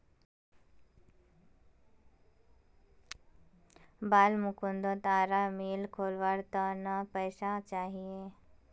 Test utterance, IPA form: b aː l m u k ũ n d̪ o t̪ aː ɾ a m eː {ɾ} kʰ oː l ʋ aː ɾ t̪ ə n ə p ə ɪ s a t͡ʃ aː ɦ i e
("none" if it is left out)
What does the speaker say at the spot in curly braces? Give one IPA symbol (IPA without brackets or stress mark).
l